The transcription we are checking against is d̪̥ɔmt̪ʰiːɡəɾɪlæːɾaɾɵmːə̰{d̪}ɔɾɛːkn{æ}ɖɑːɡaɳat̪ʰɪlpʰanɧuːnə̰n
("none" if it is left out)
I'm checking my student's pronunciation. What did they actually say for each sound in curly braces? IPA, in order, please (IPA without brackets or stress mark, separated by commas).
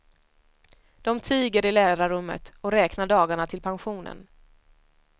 t̪, a